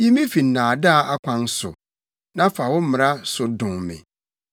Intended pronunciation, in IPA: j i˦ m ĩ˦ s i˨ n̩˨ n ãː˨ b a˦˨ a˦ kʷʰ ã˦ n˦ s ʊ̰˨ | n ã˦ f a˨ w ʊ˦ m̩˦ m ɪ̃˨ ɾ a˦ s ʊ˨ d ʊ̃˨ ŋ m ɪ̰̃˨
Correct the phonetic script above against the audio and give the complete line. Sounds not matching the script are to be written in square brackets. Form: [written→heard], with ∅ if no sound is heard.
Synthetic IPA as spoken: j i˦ m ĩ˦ [s→f] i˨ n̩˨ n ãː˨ [b→d] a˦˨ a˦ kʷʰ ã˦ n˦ s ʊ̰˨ | n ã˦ f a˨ w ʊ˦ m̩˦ m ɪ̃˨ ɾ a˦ s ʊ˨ d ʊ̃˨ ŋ m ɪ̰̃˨